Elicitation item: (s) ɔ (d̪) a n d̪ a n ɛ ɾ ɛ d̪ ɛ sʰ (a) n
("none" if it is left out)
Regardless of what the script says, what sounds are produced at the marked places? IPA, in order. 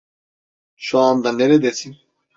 ʃ, none, i

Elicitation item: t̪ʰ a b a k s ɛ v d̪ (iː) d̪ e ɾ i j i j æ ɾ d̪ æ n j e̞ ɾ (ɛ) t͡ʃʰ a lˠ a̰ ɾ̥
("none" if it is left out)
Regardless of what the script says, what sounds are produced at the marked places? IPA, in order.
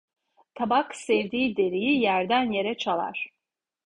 iː, ɛ

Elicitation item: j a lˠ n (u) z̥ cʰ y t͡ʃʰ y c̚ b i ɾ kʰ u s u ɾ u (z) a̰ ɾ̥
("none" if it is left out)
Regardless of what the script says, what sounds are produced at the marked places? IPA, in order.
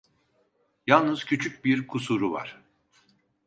ɯ, v

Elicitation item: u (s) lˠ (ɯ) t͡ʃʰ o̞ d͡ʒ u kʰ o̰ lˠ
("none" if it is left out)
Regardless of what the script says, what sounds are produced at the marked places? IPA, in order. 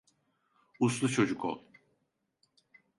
s, u

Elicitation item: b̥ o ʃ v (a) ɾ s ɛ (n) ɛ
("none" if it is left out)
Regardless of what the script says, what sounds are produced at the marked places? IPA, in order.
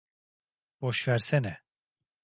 æ, n

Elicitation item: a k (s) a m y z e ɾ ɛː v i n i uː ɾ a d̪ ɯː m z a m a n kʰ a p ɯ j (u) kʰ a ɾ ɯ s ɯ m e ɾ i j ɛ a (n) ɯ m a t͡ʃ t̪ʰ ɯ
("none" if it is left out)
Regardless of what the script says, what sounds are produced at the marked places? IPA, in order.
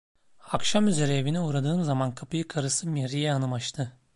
ʃ, ɯ, n

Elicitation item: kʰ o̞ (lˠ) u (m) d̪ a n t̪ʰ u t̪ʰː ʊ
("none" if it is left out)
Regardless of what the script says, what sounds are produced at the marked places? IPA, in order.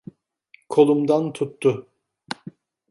lˠ, m

